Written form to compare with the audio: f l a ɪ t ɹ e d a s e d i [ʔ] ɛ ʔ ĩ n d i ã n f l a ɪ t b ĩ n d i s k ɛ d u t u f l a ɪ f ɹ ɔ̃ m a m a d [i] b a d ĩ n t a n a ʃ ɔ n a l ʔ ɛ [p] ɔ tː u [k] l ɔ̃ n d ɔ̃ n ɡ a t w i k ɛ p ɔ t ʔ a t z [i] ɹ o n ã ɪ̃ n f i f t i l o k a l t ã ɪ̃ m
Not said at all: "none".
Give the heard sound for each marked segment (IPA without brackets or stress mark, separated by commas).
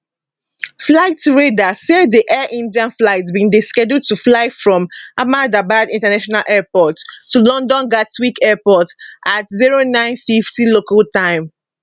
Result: ʔ, a, p, none, i